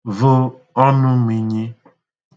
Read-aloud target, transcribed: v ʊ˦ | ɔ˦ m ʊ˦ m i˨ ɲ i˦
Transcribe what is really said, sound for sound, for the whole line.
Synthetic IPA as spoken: v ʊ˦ | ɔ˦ n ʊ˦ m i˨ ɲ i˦

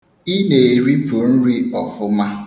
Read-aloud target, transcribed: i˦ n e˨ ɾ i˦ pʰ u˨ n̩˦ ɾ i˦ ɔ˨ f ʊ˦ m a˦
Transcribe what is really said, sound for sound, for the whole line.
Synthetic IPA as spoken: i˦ n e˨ ɾ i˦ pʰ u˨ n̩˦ ɾ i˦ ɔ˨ f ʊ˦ m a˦

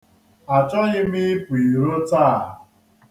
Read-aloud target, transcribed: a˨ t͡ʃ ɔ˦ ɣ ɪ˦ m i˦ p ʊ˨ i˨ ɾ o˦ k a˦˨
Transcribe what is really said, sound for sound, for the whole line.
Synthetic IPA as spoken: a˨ t͡ʃ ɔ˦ ɣ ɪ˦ m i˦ p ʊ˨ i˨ ɾ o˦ t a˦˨

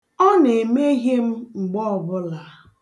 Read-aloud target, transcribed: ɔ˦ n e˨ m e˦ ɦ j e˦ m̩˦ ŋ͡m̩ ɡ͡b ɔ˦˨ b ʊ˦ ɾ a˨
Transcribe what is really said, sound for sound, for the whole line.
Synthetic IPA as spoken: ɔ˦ n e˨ m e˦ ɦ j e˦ m̩˦ ŋ͡m̩ ɡ͡b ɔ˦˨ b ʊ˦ l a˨

